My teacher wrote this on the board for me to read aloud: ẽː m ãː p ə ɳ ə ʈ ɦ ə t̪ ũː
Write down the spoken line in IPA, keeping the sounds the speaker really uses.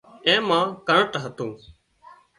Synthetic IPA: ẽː m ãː k ə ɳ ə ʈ ɦ ə t̪ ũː